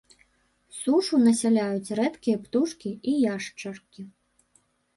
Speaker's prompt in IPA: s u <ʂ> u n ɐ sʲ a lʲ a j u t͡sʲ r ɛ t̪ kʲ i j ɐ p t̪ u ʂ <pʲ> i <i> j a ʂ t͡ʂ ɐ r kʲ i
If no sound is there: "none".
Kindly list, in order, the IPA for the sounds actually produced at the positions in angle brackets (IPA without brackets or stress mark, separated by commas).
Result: ʂ, kʲ, i